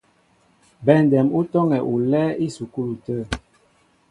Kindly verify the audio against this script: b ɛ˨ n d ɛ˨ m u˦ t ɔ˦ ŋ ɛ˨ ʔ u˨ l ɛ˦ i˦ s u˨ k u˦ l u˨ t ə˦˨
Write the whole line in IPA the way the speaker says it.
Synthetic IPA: b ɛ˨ n d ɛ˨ m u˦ t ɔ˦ ŋ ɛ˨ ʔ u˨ l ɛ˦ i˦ s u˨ k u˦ l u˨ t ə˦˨